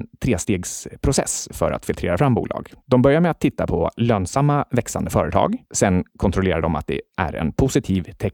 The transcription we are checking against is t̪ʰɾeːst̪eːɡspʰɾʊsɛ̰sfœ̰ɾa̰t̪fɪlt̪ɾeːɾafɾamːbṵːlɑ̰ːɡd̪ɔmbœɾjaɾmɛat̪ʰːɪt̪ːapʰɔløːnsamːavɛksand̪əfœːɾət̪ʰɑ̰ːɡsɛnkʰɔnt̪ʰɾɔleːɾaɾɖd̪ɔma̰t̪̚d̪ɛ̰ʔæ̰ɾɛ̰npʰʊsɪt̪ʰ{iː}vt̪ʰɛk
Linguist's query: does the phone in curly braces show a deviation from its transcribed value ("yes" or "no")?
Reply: no